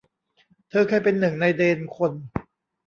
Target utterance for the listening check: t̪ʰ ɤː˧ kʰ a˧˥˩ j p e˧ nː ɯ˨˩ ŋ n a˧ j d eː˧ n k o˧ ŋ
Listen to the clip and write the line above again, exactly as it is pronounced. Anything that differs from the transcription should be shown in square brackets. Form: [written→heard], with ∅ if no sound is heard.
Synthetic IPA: t̪ʰ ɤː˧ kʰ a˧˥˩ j p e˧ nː ɯ˨˩ ŋ n a˧ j d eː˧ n [k→kʰ] o˧ [ŋ→n]